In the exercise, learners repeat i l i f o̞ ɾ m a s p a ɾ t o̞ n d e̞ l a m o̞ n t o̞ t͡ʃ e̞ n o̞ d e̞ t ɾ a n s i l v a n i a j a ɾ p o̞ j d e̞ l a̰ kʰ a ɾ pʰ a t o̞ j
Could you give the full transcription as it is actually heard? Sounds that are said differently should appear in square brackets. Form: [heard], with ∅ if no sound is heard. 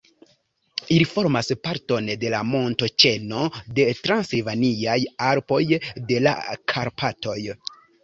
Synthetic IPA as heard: i l i f o̞ ɾ m a s p a ɾ t o̞ n d e̞ l a m o̞ n t o̞ t͡ʃ e̞ n o̞ d e̞ t ɾ a n s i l v a n i a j a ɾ p o̞ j d e̞ l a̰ kʰ a ɾ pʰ a t o̞ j